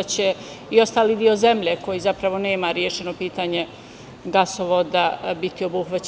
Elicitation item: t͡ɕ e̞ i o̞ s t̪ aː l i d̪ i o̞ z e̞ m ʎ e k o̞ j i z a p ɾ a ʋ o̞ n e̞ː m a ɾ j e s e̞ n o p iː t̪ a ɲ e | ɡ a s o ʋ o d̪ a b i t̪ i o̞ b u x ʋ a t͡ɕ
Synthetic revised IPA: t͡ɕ e̞ i o̞ s t̪ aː l i d̪ i o̞ z e̞ m ʎ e k o̞ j i z a p ɾ a ʋ o̞ n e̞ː m a ɾ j e ʃ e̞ n o p iː t̪ a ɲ e | ɡ a s o ʋ o d̪ a b i t̪ i o̞ b u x ʋ a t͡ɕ